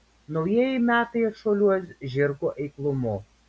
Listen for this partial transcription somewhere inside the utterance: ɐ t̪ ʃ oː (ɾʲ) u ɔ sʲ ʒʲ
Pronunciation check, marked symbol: incorrect: lʲ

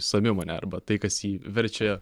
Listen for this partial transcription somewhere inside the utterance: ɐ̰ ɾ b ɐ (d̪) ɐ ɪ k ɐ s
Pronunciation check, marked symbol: incorrect: t̪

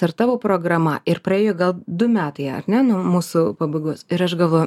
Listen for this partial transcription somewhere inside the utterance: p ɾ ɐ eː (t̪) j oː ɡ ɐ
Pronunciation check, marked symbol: incorrect: none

